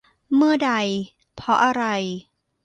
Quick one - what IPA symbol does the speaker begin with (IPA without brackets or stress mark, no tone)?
m